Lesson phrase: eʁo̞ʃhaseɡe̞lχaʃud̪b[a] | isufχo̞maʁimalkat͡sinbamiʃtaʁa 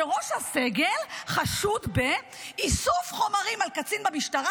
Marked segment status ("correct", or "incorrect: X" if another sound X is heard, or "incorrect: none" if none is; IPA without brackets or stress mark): incorrect: e